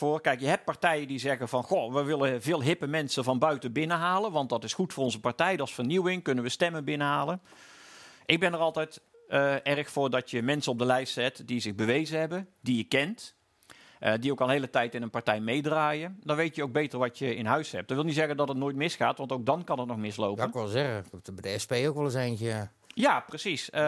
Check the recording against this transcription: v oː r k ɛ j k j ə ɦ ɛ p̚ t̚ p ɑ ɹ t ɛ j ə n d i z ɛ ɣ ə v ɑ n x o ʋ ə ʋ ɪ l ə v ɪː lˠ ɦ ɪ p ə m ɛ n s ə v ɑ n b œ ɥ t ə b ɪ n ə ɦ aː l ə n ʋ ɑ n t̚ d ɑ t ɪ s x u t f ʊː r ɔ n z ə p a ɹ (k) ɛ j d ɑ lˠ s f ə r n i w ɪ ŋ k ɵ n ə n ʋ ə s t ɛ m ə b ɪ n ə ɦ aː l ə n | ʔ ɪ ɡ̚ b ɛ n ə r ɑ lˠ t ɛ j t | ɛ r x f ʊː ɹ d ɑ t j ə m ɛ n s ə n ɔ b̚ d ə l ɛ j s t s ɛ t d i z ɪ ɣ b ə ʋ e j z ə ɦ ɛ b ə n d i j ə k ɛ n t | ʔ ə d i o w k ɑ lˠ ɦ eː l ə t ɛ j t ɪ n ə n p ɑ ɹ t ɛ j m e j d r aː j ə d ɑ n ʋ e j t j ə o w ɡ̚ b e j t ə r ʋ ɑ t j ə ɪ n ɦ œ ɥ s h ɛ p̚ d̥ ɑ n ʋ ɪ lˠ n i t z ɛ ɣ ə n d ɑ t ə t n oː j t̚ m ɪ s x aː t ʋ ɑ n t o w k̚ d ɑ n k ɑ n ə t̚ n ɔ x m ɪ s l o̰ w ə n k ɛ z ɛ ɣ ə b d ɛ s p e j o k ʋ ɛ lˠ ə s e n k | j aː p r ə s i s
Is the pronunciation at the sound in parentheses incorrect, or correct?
incorrect